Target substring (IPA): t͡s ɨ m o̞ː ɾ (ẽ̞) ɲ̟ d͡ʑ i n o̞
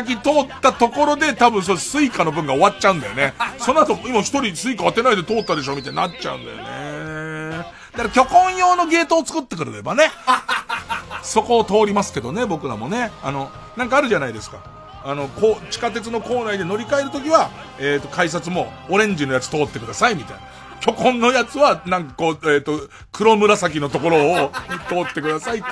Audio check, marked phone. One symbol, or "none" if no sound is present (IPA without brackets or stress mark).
ẽ̞